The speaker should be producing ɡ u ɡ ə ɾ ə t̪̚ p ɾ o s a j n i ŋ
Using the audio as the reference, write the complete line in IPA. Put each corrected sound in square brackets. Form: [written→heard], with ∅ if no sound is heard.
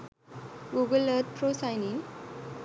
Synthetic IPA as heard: ɡ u ɡ ə [ɾ→l] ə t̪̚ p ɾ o s a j n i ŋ